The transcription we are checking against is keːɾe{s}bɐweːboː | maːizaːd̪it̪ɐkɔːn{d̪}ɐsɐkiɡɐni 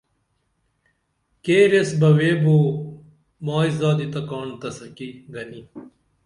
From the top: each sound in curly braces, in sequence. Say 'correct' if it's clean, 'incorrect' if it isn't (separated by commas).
correct, incorrect